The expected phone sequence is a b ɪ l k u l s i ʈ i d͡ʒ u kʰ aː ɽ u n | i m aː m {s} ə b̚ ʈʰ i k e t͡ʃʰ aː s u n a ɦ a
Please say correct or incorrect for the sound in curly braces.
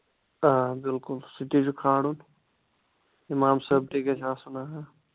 correct